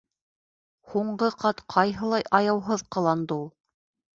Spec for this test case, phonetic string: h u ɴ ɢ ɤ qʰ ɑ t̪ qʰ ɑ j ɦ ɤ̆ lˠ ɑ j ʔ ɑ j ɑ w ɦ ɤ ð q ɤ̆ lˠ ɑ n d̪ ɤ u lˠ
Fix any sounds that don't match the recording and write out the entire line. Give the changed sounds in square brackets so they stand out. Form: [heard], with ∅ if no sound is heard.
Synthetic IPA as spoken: h u ɴ ɢ ɤ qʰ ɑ t̪ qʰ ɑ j ɦ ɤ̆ lˠ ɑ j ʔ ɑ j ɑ w ɦ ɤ ð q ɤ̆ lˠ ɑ n d̪ ɤ u lˠ